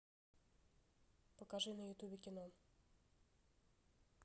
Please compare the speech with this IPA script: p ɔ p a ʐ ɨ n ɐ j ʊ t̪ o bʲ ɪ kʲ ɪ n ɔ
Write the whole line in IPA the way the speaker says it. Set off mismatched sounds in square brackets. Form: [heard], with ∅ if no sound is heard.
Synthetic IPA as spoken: p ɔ [k] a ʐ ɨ n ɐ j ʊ t̪ [u] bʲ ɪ kʲ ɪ n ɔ